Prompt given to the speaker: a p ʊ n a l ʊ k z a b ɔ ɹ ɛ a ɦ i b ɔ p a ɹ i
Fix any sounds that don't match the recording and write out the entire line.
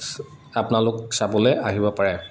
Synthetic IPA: a p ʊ n a l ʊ k s a b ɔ l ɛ a ɦ i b ɔ p a ɹ ɛ